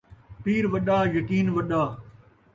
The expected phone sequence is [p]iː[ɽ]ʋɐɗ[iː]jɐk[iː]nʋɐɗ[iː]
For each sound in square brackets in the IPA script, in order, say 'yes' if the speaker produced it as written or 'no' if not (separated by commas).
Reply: yes, no, no, yes, no